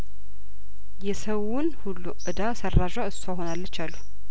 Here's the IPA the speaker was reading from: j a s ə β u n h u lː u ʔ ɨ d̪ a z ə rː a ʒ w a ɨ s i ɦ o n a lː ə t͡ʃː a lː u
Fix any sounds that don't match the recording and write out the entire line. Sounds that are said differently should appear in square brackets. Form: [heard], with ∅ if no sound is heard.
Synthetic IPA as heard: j [ɛ] s ə [w] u n h u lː u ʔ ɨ d̪ a [s] ə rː a ʒ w a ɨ s [a] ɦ o n a lː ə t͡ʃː a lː u